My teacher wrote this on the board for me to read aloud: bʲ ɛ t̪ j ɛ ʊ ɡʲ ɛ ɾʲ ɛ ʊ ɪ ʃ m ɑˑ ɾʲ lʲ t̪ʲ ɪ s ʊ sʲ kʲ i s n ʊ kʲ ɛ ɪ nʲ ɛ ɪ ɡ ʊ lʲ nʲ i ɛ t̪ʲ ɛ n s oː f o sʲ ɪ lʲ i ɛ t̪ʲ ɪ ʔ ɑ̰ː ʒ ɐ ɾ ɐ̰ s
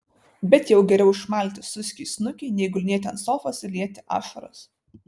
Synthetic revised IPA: bʲ ɛ t̪ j ɛ ʊ ɡʲ ɛ ɾʲ ɛ ʊ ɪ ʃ m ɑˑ lʲ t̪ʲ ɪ s ʊ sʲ kʲ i s n ʊ kʲ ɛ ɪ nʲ ɛ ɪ ɡ ʊ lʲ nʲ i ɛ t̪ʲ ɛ n s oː f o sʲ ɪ lʲ i ɛ t̪ʲ ɪ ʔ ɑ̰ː ʃ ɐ ɾ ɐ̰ s

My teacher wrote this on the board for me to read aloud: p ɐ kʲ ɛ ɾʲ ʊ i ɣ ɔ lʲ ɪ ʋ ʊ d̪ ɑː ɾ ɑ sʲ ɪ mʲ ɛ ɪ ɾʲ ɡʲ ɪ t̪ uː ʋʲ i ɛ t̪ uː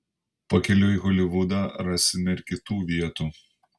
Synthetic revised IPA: p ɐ kʲ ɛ lʲ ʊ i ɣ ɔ lʲ ɪ ʋ ʊ d̪ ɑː ɾ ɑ sʲ ɪ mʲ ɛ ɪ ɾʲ kʲ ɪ t̪ uː ʋʲ i ɛ t̪ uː

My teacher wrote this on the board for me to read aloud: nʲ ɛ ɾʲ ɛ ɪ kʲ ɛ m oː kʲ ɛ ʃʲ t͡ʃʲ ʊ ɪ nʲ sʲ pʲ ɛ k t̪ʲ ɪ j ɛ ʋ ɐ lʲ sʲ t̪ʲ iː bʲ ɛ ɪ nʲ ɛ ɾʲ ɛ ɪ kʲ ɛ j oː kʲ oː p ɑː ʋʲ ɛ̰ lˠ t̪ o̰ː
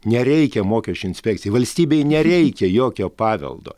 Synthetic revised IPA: nʲ ɛ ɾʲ ɛ ɪ kʲ ɛ m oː kʲ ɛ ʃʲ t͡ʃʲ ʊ ɪ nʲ sʲ pʲ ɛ k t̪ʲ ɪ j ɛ ʋ ɐ lʲ sʲ t̪ʲ iː bʲ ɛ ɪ nʲ ɛ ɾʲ ɛ ɪ kʲ ɛ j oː kʲ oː p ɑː ʋʲ ɛ̰ lˠ d̪ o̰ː

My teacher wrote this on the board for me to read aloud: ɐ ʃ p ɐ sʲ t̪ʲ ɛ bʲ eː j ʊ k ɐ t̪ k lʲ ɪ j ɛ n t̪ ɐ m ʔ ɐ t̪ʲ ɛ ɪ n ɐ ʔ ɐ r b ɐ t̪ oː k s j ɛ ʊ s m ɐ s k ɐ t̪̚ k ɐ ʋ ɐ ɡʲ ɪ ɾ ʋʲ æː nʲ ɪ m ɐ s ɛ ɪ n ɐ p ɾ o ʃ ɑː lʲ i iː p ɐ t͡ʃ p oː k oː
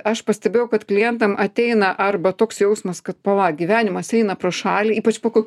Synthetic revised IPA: ɐ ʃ p ɐ sʲ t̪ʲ ɛ bʲ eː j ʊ k ɐ t̪ k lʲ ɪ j ɛ n t̪ ɐ m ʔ ɐ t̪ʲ ɛ ɪ n ɐ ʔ ɐ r b ɐ t̪ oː k s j ɛ ʊ s m ɐ s k ɐ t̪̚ p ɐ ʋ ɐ ɡʲ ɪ ʋʲ æː nʲ ɪ m ɐ s ɛ ɪ n ɐ p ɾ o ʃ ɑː lʲ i iː p ɐ t͡ʃ p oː k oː

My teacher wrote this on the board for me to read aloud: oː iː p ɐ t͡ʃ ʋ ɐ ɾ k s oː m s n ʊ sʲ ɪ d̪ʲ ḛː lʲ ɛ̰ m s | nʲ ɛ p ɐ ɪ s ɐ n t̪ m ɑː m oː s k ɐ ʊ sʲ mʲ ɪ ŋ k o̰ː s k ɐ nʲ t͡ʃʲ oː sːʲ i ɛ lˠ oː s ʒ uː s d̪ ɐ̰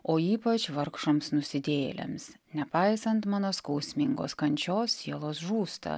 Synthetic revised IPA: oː iː p ɐ t͡ʃ ʋ ɐ ɾ k ʃ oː m s n ʊ sʲ ɪ d̪ʲ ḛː lʲ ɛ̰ m s | nʲ ɛ p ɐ ɪ s ɐ n t̪ m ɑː n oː s k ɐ ʊ sʲ mʲ ɪ ŋ ɡ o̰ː s k ɐ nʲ t͡ʃʲ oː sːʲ i ɛ lˠ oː s ʒ uː s t̪ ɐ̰

